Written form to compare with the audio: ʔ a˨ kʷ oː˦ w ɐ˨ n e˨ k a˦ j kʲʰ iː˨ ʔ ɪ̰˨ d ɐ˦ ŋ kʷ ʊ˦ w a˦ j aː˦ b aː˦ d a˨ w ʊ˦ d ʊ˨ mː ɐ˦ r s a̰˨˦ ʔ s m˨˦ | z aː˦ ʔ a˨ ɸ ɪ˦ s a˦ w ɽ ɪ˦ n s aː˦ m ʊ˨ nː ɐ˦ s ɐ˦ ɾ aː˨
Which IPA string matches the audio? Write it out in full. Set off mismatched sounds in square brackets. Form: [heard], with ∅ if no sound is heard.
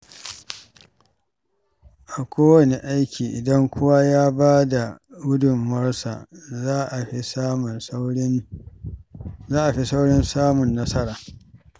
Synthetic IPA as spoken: ʔ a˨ kʷ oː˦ w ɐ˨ n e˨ [ʔ] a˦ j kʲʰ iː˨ ʔ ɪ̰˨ d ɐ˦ ŋ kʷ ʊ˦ w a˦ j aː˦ b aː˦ d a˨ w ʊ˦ d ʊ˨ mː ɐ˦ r s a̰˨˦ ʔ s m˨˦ | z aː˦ ʔ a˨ ɸ [i˦] s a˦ w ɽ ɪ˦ n s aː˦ m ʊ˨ nː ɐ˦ s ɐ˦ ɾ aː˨